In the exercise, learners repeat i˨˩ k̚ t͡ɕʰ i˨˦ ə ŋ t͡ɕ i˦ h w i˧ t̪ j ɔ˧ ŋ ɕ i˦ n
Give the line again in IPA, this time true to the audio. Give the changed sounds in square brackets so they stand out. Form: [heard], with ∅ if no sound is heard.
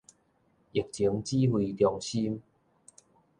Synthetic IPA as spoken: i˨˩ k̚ [t͡ɕ] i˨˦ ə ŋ t͡ɕ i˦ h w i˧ t̪ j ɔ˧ ŋ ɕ i˦ [m]